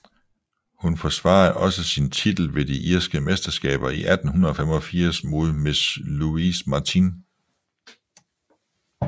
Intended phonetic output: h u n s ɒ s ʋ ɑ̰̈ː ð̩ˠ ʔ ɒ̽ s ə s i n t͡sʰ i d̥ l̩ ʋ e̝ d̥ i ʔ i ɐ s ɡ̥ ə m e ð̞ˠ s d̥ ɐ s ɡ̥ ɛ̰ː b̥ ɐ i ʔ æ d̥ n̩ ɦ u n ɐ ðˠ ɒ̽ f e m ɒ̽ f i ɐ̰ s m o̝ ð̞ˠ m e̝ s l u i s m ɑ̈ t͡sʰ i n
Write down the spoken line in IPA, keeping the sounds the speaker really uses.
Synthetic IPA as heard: h u n f ɒ s ʋ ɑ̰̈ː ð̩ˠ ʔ ɒ̽ s ə s i n t͡sʰ i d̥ l̩ ʋ e̝ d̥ i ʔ i ɐ s ɡ̥ ə m e s d̥ ɐ s ɡ̥ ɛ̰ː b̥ ɐ i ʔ æ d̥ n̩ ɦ u n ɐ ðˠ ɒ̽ f e m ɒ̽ f i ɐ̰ s m o̝ ð̞ˠ m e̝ s l u i s m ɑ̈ t͡sʰ i n